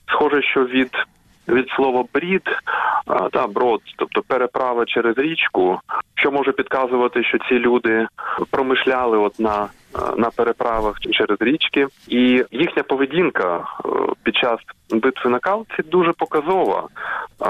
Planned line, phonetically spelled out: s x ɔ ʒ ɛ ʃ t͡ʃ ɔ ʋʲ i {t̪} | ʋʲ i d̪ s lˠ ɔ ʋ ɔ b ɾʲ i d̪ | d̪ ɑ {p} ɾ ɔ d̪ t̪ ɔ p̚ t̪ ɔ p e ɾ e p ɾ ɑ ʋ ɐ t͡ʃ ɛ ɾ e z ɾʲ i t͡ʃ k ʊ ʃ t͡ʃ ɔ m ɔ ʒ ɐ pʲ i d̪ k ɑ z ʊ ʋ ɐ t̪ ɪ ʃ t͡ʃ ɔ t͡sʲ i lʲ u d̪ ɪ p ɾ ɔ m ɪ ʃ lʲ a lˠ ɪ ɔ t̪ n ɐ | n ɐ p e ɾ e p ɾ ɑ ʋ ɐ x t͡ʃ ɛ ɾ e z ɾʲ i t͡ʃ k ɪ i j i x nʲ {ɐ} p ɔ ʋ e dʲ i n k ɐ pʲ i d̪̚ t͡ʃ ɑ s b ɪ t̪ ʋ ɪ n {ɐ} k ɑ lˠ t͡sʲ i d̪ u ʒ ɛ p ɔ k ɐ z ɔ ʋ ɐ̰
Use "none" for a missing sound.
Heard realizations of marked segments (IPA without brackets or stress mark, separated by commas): d̪, b, ɐ, ɐ